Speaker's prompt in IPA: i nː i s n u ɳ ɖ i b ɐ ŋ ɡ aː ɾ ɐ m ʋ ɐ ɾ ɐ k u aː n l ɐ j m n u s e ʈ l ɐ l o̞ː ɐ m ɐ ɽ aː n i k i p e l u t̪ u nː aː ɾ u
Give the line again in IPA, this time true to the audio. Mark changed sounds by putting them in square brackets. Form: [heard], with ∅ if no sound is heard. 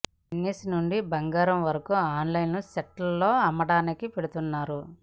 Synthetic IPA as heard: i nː i s n u ɳ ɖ i b ɐ ŋ ɡ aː ɾ ɐ m ʋ ɐ ɾ ɐ k u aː n l ɐ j [n] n u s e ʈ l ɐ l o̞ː ɐ m ɐ ɽ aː n i k i p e [ɽ] u t̪ u nː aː ɾ u